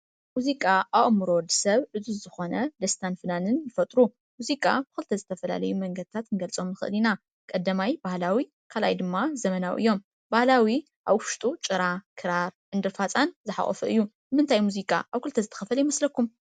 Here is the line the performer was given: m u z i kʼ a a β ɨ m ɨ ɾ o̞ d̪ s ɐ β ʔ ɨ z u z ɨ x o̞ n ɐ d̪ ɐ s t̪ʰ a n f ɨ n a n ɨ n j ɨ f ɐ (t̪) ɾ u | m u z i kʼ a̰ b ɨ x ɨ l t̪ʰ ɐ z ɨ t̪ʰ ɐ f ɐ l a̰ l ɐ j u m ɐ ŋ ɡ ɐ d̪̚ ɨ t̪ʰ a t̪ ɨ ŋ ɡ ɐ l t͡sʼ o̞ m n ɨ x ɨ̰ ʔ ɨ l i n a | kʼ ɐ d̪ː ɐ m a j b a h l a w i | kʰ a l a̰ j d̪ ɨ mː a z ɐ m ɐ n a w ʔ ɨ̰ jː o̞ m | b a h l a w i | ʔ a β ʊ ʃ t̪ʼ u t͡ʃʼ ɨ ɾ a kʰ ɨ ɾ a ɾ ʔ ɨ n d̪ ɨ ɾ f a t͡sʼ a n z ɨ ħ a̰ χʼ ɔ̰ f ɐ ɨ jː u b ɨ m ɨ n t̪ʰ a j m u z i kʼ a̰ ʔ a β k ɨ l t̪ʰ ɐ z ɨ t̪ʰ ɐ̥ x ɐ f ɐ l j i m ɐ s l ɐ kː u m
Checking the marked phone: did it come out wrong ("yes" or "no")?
yes